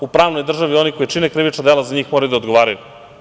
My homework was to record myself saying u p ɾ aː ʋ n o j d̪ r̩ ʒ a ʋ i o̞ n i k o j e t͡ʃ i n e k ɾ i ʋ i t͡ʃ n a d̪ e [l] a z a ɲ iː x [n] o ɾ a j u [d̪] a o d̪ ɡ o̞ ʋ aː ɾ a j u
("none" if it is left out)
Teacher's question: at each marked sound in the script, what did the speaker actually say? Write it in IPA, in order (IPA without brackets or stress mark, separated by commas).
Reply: l, m, d̪